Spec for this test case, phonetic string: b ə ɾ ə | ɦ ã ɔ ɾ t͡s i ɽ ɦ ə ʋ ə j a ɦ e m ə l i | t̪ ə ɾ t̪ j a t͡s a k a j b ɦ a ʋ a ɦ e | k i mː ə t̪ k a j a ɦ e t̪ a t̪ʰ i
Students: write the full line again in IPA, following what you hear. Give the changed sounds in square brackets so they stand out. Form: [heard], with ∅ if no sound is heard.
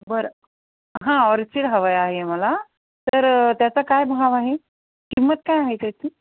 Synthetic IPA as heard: b ə ɾ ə | ɦ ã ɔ ɾ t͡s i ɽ ɦ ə ʋ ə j a ɦ e m ə l [a] | t̪ ə ɾ t̪ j a t͡s a k a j b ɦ a ʋ a ɦ e | k i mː ə t̪ k a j a ɦ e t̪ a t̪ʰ i